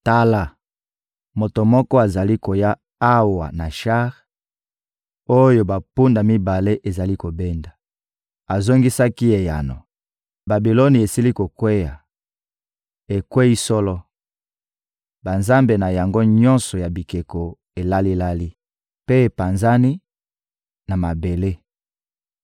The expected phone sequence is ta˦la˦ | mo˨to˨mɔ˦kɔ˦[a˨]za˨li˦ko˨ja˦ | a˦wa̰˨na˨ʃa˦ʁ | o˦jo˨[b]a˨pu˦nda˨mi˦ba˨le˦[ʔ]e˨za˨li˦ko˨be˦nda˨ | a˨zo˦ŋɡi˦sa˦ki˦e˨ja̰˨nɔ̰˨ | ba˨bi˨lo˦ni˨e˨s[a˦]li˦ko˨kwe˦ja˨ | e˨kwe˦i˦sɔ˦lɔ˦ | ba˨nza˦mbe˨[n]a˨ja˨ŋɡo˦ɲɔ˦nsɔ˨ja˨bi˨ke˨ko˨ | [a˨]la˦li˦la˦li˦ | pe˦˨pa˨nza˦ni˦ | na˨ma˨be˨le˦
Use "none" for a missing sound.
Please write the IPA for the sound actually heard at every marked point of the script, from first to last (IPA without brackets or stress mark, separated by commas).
a˨, b, ʔ, i˦, n, e˨